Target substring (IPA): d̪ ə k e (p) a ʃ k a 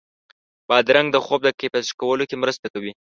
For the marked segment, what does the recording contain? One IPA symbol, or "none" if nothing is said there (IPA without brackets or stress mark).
p